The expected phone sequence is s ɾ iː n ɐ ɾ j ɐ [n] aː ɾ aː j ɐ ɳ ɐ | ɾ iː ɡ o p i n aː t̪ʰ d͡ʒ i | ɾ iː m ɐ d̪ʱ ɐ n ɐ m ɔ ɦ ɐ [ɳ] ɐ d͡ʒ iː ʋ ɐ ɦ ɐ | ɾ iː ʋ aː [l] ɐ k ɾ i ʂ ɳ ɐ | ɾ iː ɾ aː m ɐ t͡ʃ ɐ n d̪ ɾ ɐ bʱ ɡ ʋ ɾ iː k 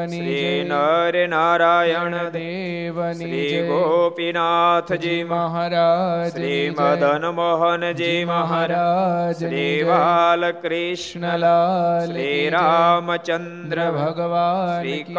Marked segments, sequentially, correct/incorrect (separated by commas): correct, incorrect, correct